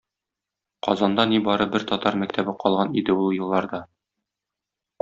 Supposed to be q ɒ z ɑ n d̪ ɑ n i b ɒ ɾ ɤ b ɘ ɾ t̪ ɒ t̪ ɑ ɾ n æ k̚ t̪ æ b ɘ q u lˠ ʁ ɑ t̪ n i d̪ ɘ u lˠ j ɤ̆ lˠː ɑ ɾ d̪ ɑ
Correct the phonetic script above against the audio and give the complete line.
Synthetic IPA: q ɒ z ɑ n d̪ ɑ n i b ɒ ɾ ɤ b ɘ ɾ t̪ ɒ t̪ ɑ ɾ m æ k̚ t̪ æ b ɘ q ɒ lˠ ʁ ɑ n i d̪ ɘ u lˠ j ɤ̆ lˠː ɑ ɾ d̪ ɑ